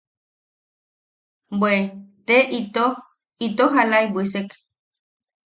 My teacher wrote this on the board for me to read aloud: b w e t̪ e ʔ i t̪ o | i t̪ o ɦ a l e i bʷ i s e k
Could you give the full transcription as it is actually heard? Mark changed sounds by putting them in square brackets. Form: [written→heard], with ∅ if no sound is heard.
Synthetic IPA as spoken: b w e t̪ e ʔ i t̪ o | i t̪ o ɦ a l [e→a] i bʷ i s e k